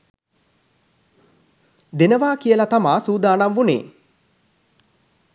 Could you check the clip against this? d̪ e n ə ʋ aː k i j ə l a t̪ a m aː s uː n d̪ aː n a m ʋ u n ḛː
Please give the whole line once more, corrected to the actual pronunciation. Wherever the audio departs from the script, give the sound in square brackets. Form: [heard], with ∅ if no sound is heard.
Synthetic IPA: d̪ e n ə ʋ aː k i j ə l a t̪ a m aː s uː [∅] d̪ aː n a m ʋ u n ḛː